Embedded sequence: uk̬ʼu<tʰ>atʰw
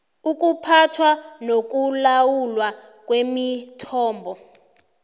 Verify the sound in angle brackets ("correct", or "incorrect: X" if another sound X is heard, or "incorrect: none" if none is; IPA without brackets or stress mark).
incorrect: pʰ